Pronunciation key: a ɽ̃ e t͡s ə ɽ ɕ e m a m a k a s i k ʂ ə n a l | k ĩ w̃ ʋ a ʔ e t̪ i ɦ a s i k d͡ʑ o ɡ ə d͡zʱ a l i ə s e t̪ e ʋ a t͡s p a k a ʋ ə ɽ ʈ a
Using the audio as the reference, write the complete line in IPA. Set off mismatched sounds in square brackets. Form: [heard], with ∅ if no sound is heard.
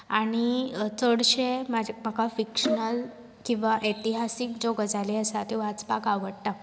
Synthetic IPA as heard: a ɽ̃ [i] t͡s ə ɽ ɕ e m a m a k a [f] i k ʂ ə n [ə] l | k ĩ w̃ ʋ a ʔ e t̪ i ɦ a s i k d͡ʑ o ɡ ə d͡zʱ a l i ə s [a] t̪ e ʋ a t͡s p a k a ʋ ə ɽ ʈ a